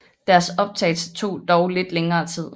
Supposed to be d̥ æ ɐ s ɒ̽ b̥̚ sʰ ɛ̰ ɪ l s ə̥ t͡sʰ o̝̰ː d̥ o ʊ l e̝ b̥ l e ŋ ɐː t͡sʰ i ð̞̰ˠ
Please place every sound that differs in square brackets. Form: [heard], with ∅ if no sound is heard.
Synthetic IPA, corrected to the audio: d̥ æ ɐ s ɒ̽ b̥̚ [t͡sʰ] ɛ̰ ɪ l s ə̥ t͡sʰ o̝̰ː d̥ [ɒ] ʊ l e̝ [d̥] l e ŋ ɐː t͡sʰ i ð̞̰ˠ